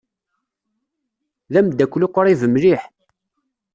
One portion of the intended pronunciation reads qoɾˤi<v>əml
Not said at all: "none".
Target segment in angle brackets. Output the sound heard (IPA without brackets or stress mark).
v